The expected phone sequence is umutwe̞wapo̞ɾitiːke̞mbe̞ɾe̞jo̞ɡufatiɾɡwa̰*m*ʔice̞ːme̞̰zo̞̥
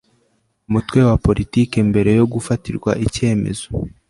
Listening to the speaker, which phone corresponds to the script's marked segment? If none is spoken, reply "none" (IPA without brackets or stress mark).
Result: none